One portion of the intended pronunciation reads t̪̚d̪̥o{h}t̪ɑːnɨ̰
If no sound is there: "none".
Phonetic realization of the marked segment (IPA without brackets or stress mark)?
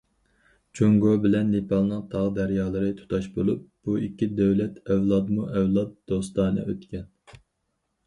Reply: s